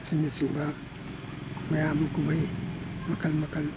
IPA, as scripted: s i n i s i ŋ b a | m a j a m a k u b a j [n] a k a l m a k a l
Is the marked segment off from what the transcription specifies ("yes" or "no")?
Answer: yes